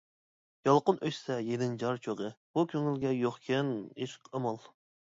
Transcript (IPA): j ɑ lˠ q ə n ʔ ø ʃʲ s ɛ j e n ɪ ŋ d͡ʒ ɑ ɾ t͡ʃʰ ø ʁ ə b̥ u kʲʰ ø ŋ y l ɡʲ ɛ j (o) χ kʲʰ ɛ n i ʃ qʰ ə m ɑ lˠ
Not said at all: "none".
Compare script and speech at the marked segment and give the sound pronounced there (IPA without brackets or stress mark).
o